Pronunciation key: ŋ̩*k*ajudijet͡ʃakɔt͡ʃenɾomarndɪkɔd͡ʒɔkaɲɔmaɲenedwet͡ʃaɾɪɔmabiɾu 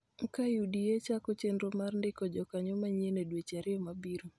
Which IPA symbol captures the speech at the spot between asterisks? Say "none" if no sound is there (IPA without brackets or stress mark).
k